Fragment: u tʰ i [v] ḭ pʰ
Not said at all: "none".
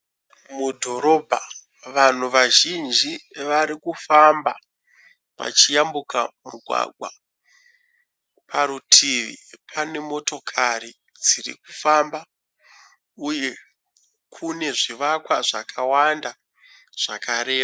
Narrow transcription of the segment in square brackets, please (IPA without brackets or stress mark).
ʋ